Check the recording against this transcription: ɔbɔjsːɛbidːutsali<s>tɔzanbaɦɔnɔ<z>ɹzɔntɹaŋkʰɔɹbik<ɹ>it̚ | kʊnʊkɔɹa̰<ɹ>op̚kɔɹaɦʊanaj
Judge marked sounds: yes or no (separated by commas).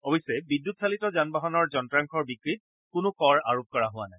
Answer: no, no, yes, yes